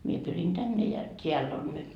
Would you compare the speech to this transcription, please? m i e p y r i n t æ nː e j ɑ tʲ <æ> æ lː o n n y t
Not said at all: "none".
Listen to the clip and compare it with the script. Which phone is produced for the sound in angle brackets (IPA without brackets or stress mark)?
e